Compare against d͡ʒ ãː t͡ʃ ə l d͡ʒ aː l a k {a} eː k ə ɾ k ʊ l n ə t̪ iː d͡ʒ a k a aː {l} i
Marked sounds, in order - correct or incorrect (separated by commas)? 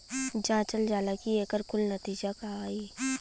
incorrect, incorrect